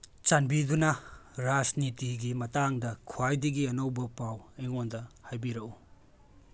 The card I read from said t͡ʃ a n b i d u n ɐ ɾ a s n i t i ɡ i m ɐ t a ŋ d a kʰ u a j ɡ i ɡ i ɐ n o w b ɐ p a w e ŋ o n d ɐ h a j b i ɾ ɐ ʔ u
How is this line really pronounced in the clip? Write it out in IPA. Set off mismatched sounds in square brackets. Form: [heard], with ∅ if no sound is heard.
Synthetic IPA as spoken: t͡ʃ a n b i d u n ɐ ɾ a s n i t i ɡ i m ɐ t a ŋ d [ɐ] kʰ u a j [d] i ɡ i ɐ n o w b ɐ p a w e ŋ o n d ɐ h a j b i ɾ ɐ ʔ u

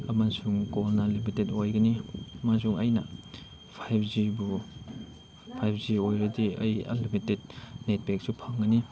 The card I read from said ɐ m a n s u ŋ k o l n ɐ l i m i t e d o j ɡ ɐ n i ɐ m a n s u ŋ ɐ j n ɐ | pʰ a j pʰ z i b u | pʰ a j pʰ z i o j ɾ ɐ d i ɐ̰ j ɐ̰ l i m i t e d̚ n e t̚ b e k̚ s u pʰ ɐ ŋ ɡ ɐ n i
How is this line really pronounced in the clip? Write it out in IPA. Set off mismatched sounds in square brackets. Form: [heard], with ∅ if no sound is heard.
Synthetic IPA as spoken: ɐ m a n s u ŋ k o l n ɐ l i m i t e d o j ɡ ɐ n i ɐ m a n s u ŋ ɐ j n ɐ | pʰ a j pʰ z i b u | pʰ a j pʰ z i o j ɾ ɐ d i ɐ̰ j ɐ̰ l i m i t e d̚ n e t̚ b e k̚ s u pʰ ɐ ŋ ɡ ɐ n i

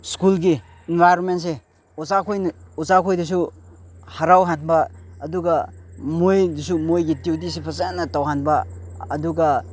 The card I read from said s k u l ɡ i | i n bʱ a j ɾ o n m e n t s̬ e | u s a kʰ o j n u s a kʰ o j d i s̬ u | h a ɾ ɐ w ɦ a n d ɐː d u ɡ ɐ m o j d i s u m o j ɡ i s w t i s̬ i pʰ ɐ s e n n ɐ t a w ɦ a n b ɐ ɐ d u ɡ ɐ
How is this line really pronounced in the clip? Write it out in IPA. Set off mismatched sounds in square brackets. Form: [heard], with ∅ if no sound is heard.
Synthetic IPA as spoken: s k u l ɡ i | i n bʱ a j ɾ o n m e n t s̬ e | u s a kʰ o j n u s a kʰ o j d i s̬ u | h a ɾ [a] w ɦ a n [b] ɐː d u ɡ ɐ m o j d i s u m o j ɡ i [t] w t i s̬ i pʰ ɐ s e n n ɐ t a w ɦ a n b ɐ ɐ d u ɡ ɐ

